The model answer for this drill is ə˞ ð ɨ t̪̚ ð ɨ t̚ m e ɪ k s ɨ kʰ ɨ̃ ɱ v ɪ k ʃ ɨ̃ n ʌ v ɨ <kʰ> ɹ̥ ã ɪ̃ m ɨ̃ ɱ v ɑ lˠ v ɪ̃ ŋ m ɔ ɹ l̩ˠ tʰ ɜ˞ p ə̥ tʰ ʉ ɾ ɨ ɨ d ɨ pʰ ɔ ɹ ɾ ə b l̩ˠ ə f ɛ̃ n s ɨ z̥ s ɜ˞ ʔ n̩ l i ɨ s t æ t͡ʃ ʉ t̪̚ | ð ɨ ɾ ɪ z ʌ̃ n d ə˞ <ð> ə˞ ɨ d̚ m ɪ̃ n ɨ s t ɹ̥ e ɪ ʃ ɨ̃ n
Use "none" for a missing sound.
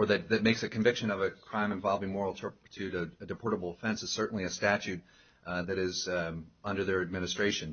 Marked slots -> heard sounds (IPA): kʰ, ð

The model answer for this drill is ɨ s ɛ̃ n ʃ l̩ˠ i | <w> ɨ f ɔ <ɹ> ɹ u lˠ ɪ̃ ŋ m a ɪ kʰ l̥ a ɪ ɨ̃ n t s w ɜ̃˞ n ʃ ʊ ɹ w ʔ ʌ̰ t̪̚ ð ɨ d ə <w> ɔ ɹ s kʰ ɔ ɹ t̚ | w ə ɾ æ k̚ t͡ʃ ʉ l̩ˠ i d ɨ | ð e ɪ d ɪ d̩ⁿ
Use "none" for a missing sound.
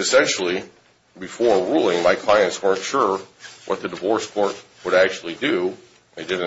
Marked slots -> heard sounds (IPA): b, ɹ, v

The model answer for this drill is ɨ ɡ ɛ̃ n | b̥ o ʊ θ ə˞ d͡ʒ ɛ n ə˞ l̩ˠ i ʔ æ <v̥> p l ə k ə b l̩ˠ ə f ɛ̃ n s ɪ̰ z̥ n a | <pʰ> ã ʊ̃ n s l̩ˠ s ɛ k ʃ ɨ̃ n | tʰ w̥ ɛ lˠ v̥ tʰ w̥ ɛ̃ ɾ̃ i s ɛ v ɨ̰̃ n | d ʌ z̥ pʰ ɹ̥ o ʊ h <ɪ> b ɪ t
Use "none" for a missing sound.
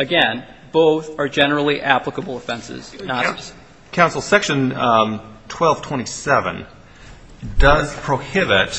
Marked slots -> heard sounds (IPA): none, kʰ, ɪ

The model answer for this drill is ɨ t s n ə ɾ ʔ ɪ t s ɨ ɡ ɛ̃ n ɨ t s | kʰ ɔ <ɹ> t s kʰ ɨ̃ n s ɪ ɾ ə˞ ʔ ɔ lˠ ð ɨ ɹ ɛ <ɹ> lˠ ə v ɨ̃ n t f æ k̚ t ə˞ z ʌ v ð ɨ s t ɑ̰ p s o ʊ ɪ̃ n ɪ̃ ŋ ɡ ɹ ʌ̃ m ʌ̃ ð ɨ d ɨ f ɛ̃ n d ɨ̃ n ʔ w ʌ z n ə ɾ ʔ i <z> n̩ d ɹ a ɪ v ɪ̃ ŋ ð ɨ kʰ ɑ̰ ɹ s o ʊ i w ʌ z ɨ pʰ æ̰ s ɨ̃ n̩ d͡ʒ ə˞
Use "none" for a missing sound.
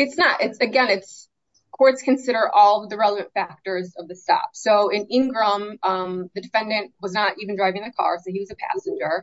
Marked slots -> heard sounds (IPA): ɹ, none, v

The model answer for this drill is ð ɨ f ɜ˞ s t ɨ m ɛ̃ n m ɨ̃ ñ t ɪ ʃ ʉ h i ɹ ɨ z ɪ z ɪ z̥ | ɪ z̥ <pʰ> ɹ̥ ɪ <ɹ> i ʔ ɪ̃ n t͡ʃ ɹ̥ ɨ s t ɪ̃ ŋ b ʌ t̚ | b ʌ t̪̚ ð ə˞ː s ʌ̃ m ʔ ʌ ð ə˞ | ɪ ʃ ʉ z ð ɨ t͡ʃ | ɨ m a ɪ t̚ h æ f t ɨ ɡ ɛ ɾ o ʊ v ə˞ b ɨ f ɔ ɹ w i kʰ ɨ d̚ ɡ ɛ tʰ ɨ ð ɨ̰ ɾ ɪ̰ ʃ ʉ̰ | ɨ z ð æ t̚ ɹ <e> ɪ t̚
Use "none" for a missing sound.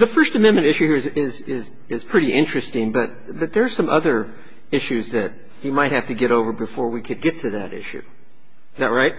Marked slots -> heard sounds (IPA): pʰ, ɾ, a

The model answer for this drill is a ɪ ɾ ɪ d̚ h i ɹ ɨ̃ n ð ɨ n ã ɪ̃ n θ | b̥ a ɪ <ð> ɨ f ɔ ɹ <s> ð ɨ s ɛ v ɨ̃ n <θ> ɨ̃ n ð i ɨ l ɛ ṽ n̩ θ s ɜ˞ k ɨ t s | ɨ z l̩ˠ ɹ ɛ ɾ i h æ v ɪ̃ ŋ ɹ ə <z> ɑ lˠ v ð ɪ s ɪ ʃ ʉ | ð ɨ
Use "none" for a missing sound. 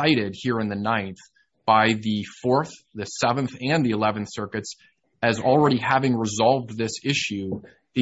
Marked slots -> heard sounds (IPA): ð, θ, θ, z

